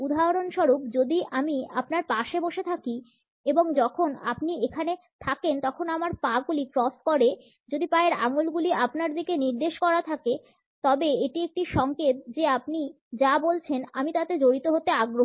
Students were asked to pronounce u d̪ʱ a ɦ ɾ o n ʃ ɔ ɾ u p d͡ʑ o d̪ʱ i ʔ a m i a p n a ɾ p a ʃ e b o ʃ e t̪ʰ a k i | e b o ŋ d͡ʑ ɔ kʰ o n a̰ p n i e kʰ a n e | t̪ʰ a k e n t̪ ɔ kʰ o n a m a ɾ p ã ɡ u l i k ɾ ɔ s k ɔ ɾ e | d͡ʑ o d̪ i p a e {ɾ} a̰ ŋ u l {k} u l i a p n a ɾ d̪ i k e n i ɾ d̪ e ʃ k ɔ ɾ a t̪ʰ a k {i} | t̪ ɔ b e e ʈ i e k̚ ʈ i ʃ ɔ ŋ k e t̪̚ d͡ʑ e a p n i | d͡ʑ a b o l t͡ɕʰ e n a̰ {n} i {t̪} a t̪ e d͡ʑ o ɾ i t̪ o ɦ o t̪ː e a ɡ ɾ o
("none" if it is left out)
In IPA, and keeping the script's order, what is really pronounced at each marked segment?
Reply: ɾ, ɡ, e, m, t̪

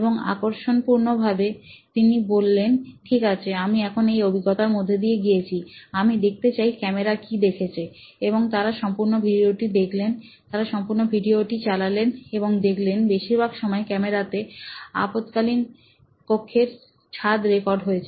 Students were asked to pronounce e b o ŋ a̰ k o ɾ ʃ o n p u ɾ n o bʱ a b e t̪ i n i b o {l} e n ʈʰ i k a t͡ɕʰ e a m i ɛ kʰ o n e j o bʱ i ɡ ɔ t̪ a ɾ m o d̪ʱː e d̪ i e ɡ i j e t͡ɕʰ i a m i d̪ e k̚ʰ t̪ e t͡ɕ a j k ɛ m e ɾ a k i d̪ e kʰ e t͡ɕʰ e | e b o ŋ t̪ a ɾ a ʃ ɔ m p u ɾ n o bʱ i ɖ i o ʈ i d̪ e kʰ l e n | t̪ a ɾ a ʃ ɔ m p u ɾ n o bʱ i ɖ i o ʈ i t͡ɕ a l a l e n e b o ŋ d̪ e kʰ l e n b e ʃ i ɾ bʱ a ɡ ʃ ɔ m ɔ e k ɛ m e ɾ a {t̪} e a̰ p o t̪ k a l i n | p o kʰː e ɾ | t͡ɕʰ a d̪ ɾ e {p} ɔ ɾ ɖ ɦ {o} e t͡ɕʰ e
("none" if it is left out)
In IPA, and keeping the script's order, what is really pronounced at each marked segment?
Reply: lː, t̪, k, o

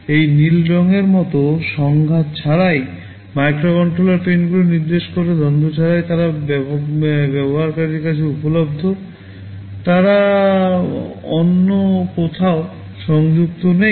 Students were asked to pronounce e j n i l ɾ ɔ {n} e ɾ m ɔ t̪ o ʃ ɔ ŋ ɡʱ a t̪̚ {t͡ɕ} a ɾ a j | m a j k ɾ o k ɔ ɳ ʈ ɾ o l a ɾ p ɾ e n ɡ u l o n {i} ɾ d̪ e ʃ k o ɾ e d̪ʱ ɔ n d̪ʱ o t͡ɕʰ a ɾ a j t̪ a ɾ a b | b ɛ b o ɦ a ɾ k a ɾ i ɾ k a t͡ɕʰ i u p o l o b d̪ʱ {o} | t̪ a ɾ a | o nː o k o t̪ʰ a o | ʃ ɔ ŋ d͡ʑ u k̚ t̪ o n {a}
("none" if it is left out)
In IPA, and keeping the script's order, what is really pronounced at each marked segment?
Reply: ŋ, t͡ɕʰ, i, o, e

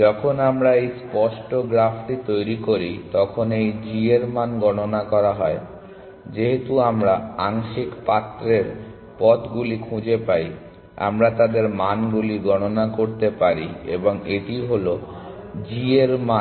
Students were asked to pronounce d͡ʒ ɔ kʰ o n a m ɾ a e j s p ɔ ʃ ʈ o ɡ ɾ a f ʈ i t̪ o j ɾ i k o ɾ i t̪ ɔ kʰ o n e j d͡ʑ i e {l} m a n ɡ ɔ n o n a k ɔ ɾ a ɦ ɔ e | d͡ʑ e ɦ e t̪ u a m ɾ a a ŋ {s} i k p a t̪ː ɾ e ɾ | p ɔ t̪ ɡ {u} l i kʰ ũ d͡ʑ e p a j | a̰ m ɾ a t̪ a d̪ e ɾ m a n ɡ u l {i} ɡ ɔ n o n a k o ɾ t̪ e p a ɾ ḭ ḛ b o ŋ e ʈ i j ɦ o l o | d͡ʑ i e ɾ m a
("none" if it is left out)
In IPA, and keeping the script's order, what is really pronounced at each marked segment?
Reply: ɾ, ʃ, u, i

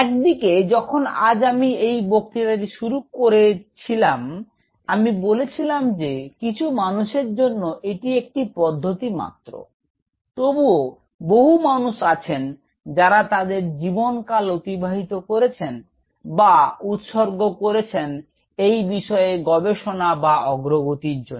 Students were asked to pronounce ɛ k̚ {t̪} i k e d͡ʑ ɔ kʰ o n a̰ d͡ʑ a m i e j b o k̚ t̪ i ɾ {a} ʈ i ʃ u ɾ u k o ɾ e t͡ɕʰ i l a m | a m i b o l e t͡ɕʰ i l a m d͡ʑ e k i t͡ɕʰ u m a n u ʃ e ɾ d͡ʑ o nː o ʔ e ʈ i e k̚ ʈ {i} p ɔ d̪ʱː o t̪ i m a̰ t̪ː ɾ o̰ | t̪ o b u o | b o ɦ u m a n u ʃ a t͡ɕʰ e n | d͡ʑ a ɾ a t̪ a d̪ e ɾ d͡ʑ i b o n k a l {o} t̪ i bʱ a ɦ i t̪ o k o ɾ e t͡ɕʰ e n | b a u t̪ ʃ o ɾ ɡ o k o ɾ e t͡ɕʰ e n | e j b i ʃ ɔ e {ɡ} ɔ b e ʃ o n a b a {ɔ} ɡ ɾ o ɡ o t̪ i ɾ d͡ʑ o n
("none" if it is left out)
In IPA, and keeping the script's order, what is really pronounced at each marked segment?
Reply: d̪, a, i, o, ɡ, ɔ

